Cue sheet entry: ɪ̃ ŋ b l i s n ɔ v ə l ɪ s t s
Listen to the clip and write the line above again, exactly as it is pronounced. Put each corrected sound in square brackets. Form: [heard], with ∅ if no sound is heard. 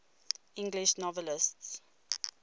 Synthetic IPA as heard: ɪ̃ ŋ [ɡ] l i [ʃ] n ɔ v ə l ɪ s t s